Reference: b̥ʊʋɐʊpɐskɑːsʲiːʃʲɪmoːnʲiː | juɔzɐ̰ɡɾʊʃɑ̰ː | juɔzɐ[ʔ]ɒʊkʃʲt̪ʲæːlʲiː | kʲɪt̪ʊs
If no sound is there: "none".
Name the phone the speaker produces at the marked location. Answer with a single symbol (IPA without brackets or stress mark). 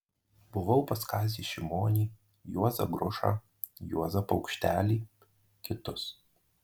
p